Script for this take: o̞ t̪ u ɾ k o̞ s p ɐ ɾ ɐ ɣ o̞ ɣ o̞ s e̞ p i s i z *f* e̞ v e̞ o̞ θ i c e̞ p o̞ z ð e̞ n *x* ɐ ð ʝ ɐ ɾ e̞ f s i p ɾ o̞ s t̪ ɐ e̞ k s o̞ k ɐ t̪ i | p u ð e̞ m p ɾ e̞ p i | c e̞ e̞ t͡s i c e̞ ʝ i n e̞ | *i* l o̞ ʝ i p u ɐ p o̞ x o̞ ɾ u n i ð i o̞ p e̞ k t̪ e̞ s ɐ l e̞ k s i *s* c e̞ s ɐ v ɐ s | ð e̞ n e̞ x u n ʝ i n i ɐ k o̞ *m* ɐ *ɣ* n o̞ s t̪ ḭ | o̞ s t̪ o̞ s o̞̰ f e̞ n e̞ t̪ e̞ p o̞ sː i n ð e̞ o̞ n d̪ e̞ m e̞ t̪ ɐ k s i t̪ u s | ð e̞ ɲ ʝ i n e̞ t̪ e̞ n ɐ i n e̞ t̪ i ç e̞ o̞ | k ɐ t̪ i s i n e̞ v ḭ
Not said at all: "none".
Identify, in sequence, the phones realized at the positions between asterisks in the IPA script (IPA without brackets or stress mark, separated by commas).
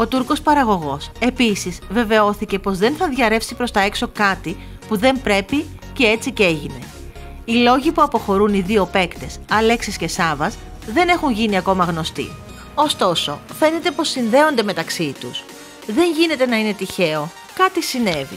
v, θ, i, s, m, ɣ